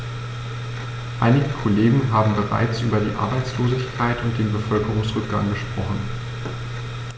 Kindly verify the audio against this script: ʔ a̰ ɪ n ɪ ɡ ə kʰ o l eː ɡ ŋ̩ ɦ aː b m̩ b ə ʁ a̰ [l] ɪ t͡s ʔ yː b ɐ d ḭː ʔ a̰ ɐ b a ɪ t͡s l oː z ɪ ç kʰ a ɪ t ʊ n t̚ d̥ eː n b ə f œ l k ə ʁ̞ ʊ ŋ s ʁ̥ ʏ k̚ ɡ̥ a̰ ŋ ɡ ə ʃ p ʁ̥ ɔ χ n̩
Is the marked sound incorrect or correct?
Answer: incorrect